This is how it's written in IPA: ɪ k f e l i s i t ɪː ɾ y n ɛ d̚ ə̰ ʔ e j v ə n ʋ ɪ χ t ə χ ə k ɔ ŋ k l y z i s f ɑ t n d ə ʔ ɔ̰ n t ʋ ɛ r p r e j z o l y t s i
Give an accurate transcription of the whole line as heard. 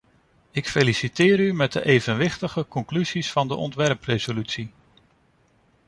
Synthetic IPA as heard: ɪ k f e l i s i t ɪː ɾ y m ɛ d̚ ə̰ ʔ e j v ə n ʋ ɪ χ t ə χ ə k ɔ ŋ k l y z i s f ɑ n d ə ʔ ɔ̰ n t ʋ ɛ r p r e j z o l y t s i